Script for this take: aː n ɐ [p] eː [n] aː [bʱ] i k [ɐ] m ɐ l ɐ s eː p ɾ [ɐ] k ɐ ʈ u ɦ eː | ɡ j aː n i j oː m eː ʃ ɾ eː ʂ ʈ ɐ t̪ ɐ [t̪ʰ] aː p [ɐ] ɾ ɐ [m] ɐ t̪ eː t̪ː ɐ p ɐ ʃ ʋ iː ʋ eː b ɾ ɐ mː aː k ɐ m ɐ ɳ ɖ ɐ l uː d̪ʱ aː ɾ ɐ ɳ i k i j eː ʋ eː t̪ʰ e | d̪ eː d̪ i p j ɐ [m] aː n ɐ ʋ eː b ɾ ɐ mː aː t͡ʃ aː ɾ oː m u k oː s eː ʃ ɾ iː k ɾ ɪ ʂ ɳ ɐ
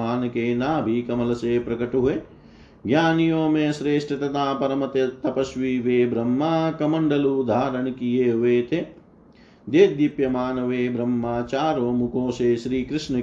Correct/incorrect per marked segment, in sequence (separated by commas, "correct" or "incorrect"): incorrect, correct, correct, correct, correct, incorrect, correct, correct, correct